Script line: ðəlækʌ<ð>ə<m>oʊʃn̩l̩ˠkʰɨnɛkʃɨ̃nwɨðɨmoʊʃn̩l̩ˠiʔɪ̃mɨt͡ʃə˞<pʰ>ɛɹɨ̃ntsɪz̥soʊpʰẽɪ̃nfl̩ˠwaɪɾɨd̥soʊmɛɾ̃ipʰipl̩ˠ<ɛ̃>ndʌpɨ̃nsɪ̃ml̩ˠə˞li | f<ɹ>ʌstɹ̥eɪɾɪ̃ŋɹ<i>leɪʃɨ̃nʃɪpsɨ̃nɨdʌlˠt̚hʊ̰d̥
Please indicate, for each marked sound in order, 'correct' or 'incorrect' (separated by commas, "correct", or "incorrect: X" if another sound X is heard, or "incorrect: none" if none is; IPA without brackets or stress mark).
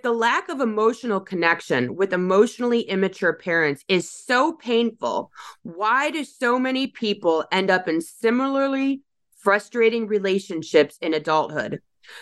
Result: incorrect: v, correct, correct, correct, correct, correct